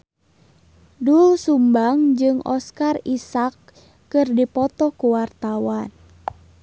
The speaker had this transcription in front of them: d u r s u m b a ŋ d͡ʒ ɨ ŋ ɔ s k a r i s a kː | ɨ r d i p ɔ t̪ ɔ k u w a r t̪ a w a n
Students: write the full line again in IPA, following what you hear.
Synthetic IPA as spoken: d u l s u m b a ŋ d͡ʒ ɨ ŋ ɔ s k a r i s a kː | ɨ r d i p ɔ t̪ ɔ k u w a r t̪ a w a n